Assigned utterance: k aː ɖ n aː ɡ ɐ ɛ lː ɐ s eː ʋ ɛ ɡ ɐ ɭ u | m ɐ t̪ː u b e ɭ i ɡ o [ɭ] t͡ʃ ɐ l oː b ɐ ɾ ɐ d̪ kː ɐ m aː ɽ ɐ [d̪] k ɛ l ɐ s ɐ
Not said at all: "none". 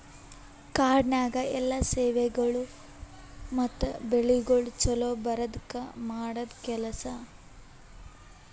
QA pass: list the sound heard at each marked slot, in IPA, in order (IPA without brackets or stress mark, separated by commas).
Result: ɭ, d̪